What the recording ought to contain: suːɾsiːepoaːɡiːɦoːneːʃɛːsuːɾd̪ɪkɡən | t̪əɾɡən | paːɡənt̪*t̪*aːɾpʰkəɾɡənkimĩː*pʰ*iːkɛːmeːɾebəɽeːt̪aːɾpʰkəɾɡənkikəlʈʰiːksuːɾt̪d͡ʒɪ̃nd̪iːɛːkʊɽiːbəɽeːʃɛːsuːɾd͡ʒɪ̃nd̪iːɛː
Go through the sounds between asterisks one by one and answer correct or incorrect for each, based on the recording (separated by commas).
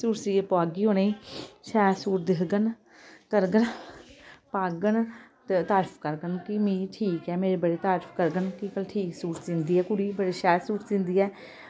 correct, incorrect